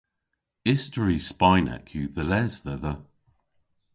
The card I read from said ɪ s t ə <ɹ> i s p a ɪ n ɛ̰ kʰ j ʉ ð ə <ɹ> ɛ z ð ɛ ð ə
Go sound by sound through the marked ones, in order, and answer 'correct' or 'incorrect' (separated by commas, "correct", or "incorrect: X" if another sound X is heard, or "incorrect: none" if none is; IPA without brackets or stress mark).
correct, incorrect: l